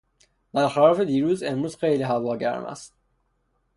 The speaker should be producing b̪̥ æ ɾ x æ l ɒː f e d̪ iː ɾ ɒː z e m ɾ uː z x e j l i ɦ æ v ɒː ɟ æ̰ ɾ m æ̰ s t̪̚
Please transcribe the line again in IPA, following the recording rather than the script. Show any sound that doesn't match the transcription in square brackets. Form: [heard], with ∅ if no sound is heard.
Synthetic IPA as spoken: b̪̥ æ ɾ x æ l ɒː f e d̪ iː ɾ [uː] z e m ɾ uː z x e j l i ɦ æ v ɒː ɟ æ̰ ɾ m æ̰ s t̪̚